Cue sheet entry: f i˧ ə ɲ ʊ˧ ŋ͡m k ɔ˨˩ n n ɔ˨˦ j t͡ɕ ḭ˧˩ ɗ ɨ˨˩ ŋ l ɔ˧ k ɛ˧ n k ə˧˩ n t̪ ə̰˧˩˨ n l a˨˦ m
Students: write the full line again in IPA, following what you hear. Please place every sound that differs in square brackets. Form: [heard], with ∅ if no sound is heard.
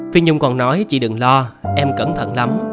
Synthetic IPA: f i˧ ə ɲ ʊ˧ ŋ͡m k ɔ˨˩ n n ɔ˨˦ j t͡ɕ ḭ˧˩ ɗ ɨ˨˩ ŋ l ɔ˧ [ʔ] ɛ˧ [m] k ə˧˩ n [t̪ʰ] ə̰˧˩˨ n l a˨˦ m

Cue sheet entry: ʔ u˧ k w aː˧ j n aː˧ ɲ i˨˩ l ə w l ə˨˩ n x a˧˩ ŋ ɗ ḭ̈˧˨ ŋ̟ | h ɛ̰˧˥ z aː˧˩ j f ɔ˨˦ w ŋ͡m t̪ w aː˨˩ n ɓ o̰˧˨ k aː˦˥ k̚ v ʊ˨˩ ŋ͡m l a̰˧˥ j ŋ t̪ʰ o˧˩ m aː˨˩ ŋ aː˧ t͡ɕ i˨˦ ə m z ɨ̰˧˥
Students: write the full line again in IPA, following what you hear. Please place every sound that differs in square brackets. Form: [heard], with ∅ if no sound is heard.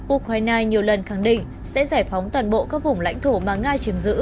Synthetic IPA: ʔ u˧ k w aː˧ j n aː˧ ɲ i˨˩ [∅] ə w l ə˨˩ n x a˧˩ ŋ ɗ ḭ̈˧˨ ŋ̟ | [s] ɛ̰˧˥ z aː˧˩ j f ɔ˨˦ w ŋ͡m t̪ w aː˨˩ n ɓ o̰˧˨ k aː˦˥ k̚ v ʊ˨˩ ŋ͡m l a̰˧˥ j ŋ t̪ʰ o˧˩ m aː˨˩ ŋ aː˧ t͡ɕ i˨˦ ə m z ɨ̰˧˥

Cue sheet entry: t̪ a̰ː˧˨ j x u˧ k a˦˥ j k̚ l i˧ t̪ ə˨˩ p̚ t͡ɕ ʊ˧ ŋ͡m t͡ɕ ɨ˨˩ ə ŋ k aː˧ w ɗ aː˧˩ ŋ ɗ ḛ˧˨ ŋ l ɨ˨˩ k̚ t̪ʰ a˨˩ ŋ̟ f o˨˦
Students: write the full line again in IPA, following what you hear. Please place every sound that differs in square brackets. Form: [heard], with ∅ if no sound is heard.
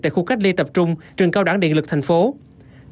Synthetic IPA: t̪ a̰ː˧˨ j x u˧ k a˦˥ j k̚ l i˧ t̪ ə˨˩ p̚ t͡ɕ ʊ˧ ŋ͡m t͡ɕ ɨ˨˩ ə ŋ k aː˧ w ɗ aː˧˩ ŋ ɗ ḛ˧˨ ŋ l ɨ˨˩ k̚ t̪ʰ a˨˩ ŋ̟ f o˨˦

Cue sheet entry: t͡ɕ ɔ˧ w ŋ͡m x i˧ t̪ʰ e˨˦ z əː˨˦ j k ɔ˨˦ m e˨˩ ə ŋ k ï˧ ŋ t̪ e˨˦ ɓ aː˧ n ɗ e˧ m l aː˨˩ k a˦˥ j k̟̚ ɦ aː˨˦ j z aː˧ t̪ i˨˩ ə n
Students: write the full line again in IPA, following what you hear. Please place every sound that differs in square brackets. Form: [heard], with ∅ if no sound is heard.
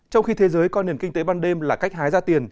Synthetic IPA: t͡ɕ ɔ˧ w ŋ͡m x i˧ t̪ʰ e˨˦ z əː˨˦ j k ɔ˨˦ [n] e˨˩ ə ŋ k ï˧ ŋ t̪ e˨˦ ɓ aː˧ n ɗ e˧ m l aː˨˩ k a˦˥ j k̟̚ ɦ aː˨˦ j z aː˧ t̪ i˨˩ ə n

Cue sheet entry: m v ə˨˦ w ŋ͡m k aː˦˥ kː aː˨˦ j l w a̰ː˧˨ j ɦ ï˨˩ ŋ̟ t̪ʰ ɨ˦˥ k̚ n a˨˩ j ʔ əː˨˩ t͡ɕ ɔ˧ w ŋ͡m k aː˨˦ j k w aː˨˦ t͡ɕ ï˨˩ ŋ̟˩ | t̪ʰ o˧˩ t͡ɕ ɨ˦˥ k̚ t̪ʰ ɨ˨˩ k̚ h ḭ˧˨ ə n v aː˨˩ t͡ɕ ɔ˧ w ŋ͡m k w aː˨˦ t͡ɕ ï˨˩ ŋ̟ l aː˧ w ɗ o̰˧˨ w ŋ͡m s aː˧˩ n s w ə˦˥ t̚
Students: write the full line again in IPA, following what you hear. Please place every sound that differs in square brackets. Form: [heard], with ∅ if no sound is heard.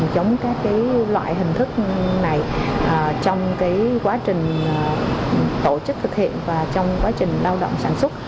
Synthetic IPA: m [z] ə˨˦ w ŋ͡m k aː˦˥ kː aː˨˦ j l w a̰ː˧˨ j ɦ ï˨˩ ŋ̟ t̪ʰ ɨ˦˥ k̚ n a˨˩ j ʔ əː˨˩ t͡ɕ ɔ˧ w ŋ͡m k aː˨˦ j k w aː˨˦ t͡ɕ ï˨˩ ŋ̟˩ | [t̪] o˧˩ t͡ɕ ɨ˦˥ k̚ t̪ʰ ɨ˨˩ k̚ h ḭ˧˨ ə n v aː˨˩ t͡ɕ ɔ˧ w ŋ͡m k w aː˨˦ t͡ɕ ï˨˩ ŋ̟ l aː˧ w ɗ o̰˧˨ w ŋ͡m s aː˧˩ n s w ə˦˥ t̚

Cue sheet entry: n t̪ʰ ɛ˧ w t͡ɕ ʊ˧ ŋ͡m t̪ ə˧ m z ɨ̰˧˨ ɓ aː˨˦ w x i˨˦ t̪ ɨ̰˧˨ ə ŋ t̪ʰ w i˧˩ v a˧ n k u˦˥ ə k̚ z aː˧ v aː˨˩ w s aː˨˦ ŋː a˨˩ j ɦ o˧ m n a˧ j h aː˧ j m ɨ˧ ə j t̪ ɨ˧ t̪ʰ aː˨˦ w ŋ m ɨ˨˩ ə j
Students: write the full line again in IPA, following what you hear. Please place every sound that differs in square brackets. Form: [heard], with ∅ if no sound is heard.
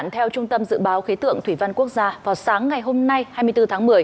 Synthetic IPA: n t̪ʰ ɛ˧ w t͡ɕ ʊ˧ ŋ͡m t̪ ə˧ m z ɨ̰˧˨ ɓ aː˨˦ w x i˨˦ t̪ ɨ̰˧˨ ə ŋ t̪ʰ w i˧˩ v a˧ n k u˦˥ ə k̚ z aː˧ v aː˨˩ w s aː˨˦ ŋː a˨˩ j ɦ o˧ m n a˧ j h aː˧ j m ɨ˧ ə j t̪ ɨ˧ t̪ʰ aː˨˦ [∅] ŋ m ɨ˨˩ ə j

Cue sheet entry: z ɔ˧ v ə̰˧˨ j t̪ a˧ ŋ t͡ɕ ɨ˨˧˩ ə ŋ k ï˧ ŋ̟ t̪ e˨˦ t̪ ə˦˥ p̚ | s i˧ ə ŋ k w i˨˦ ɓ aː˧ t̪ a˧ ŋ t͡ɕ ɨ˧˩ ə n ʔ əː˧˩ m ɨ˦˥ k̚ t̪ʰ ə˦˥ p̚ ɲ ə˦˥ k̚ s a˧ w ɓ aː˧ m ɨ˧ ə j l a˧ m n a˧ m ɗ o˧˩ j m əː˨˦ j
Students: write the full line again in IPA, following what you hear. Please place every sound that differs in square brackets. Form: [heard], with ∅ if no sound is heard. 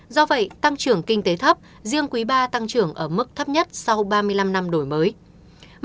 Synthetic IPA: z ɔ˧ v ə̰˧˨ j t̪ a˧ ŋ t͡ɕ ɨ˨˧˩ ə ŋ k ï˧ ŋ̟ t̪ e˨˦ [t̪ʰ] ə˦˥ p̚ | [z] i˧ ə ŋ k w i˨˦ ɓ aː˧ t̪ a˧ ŋ t͡ɕ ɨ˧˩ ə [ŋ] ʔ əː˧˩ m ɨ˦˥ k̚ t̪ʰ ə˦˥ p̚ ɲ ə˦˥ [t̚] s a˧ w ɓ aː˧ m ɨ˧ ə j l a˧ m n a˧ m ɗ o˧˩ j m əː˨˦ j

